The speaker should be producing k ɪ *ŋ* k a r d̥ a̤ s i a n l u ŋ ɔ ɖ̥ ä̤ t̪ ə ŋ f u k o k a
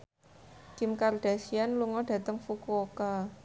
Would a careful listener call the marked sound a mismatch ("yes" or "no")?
yes